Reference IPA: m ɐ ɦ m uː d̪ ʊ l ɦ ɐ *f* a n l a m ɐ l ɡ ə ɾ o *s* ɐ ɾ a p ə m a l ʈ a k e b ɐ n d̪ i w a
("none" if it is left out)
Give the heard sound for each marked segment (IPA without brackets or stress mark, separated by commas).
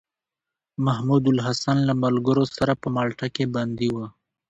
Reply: s, s